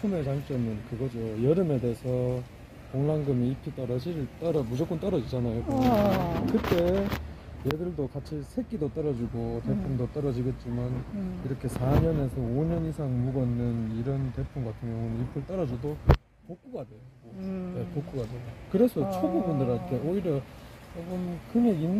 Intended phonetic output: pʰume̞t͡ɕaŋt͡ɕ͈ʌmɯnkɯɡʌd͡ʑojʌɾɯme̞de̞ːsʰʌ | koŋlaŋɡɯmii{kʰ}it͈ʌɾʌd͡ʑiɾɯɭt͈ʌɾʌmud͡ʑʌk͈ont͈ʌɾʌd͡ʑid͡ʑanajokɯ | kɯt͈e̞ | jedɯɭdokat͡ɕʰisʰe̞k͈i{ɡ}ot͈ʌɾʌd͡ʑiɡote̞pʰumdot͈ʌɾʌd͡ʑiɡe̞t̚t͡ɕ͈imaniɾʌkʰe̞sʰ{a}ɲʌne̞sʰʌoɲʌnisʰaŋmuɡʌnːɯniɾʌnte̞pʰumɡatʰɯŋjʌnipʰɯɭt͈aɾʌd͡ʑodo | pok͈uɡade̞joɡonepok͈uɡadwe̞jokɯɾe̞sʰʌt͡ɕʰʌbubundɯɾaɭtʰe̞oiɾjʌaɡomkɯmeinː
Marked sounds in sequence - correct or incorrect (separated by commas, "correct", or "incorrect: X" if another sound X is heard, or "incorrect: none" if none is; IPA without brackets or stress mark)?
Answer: incorrect: pʰ, incorrect: d, correct